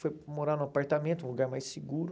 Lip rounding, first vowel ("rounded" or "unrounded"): rounded